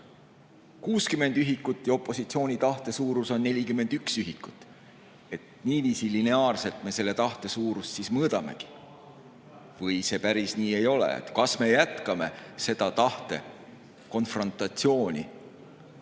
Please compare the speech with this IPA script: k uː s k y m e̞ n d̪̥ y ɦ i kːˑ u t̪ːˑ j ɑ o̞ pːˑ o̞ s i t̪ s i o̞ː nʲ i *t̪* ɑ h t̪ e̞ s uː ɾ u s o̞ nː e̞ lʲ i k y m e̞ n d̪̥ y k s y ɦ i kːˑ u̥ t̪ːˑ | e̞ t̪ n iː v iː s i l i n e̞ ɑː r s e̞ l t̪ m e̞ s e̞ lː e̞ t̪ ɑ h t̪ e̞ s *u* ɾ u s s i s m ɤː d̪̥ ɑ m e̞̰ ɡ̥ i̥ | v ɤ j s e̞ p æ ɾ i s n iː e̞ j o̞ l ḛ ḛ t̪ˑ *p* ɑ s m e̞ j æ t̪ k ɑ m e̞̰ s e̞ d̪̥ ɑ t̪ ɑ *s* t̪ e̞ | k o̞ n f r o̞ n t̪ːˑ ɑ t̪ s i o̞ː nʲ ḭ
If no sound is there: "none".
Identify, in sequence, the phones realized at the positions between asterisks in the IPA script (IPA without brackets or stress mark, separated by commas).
t̪, uː, k, h